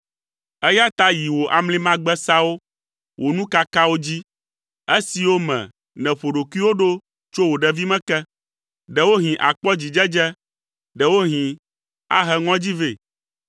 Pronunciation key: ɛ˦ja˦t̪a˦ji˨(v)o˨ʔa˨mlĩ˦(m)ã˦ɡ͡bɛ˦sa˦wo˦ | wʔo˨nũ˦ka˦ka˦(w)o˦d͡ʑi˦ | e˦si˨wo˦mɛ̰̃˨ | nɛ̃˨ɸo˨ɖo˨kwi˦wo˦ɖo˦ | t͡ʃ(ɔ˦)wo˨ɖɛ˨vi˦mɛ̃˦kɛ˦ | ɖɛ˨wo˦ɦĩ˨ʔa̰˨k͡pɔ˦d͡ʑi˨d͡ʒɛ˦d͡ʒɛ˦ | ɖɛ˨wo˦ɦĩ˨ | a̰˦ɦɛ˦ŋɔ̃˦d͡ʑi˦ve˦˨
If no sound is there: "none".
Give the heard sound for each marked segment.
w, m, w, o˦

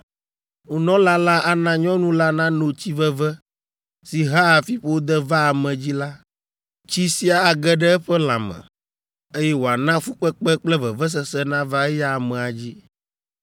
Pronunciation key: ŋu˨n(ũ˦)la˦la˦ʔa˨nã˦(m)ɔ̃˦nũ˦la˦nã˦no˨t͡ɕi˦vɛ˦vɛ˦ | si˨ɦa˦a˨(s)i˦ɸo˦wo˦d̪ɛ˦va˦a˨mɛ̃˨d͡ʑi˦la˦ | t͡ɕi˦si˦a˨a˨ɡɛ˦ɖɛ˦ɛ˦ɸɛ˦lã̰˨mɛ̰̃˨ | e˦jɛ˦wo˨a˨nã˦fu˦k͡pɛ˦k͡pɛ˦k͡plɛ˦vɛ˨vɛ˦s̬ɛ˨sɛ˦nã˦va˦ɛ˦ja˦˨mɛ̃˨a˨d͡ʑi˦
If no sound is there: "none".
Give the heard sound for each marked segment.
ɔ̃˦, ɲ, f

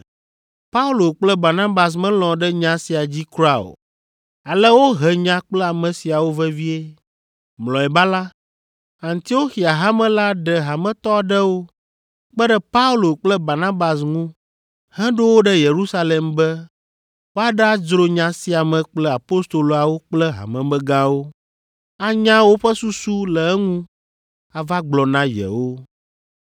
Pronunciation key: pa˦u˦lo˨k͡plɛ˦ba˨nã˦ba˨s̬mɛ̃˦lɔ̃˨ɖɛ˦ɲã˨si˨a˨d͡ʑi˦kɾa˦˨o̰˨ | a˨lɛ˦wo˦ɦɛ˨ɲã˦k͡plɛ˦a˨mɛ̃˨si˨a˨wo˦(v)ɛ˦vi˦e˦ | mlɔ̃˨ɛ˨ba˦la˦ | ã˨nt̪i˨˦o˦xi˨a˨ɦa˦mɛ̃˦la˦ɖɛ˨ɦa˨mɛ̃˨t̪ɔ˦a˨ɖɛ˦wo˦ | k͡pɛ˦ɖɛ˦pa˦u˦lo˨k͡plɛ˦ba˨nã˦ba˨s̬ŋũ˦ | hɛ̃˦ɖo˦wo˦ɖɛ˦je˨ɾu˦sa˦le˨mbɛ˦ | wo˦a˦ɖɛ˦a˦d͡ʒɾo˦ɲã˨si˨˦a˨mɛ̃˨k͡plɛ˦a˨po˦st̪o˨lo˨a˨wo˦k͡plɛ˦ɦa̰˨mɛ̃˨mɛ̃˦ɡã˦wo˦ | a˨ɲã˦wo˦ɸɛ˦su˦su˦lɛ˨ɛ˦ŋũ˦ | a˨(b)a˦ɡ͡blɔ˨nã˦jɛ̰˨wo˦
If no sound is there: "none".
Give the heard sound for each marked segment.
v, v

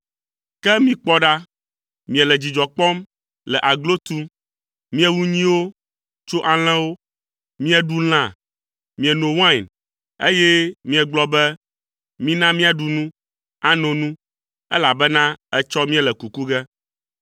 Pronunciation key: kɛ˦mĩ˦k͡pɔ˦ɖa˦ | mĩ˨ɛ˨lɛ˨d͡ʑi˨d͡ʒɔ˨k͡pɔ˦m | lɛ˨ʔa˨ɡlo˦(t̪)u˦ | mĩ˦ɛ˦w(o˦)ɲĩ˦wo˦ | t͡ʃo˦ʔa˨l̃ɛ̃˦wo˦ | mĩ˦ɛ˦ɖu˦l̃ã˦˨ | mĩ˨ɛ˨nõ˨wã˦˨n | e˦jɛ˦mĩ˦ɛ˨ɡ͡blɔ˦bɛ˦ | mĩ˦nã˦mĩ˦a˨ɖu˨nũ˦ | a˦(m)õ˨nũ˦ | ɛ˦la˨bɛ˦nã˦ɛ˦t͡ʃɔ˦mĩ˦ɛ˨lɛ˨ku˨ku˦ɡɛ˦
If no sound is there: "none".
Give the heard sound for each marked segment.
t̪, u˦, n

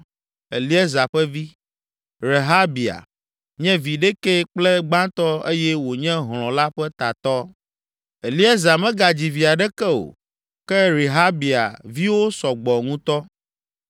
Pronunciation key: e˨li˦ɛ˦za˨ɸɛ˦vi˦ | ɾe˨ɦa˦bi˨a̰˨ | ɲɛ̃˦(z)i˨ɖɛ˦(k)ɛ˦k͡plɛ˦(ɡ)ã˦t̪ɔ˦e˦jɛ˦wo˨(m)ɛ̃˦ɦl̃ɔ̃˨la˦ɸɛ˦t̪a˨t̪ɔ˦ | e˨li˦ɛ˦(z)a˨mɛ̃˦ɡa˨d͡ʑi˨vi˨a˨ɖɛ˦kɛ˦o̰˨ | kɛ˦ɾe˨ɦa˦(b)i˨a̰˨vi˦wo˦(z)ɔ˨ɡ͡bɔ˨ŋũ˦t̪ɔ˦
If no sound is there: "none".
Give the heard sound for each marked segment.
v, k, ɡ͡b, ɲ, z, b, s

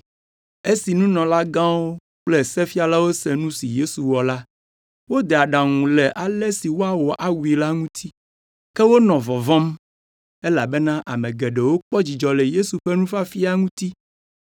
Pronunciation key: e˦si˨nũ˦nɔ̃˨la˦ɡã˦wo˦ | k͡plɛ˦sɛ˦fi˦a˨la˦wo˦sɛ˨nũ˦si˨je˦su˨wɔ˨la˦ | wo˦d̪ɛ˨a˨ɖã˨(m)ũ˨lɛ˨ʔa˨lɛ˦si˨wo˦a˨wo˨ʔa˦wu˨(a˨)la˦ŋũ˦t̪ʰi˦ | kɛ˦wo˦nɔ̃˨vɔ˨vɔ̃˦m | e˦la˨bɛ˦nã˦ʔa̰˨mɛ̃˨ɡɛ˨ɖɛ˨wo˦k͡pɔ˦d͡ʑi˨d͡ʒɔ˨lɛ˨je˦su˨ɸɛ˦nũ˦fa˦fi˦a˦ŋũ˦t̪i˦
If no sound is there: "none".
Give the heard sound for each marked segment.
ŋ, i˨

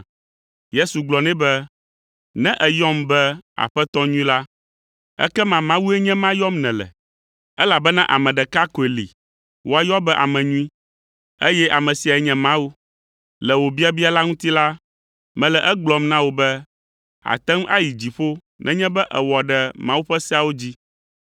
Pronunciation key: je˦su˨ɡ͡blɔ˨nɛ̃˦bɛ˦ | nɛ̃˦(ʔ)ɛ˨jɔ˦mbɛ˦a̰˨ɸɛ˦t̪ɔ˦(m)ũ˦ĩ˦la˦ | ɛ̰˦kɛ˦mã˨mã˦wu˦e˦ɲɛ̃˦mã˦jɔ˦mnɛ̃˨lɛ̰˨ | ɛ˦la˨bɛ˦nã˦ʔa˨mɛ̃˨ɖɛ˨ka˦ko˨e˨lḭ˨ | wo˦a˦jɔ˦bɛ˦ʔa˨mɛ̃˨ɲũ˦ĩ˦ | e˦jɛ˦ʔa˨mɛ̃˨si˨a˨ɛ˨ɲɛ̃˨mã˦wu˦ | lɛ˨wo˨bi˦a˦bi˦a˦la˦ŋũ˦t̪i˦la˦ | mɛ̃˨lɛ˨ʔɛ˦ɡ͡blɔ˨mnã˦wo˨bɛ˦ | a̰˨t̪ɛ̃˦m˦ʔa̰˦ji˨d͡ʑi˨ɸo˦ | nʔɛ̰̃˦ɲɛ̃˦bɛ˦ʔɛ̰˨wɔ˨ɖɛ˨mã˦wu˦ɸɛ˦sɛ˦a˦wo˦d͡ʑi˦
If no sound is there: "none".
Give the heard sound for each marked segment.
ʔ, ɲ

